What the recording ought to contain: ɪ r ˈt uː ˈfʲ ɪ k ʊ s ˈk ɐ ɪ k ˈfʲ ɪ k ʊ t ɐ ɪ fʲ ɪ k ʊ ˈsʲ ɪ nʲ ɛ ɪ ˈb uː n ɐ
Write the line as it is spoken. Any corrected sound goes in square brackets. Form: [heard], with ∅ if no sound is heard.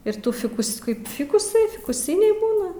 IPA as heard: ɪ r ˈt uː ˈfʲ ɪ k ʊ s ˈk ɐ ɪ [p] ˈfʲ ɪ k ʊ [s] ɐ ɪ fʲ ɪ k ʊ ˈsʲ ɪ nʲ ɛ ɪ ˈb uː n ɐ

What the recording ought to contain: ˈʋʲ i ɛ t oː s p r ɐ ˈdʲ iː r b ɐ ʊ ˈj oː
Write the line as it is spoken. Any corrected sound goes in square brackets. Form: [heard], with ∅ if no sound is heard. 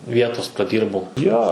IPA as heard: ˈʋʲ i ɛ t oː s p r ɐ ˈdʲ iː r b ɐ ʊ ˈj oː

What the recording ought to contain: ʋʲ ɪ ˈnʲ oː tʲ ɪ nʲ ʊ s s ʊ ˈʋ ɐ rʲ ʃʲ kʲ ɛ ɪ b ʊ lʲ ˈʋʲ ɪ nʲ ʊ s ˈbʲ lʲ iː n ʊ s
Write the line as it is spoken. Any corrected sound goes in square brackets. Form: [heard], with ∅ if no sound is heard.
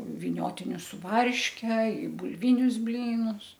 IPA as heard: ʋʲ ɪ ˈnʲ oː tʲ ɪ nʲ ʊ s s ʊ ˈʋ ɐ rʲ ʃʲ kʲ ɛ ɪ b ʊ lʲ ˈʋʲ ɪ nʲ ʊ s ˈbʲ lʲ iː n ʊ s

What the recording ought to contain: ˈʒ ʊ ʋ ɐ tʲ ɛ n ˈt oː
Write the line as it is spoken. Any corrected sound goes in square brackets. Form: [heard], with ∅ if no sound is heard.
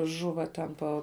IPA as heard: ˈʒ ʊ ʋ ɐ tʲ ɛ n [ˈp] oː

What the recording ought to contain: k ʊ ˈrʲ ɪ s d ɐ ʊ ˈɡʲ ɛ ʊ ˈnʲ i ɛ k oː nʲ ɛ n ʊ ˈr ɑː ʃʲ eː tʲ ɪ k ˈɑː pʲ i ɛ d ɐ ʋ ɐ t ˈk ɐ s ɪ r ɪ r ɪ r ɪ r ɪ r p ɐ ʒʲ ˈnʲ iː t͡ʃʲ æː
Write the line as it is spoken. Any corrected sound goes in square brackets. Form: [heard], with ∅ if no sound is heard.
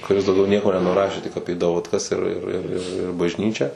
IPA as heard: k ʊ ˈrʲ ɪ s d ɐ ʊ ˈɡʲ ɛ ʊ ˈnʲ i ɛ k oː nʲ ɛ n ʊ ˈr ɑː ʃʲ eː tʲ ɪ k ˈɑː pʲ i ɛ d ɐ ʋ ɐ t ˈk ɐ s ɪ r ɪ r ɪ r ɪ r ɪ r [b] ɐ ʒʲ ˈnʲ iː t͡ʃʲ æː

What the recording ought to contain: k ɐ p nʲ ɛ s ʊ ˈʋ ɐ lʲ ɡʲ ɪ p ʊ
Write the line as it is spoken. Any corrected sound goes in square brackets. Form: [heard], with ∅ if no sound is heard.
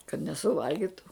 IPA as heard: k ɐ [t] nʲ ɛ s ʊ ˈʋ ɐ lʲ ɡʲ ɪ [t] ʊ

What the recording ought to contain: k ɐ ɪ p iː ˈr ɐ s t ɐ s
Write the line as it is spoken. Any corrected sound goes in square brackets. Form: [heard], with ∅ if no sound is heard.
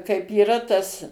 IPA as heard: k ɐ ɪ p iː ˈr ɐ [∅] t ɐ s

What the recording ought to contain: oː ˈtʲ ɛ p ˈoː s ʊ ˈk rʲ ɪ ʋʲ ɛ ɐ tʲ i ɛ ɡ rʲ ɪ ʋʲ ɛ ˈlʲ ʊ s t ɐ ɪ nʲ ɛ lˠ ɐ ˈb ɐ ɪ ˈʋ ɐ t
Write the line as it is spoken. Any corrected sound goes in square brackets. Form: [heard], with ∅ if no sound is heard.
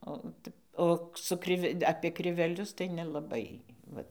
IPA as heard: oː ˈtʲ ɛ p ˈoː s ʊ ˈk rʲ ɪ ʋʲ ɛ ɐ [pʲ] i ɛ [k] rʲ ɪ ʋʲ ɛ ˈlʲ ʊ s t ɐ ɪ nʲ ɛ lˠ ɐ ˈb ɐ ɪ ˈʋ ɐ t

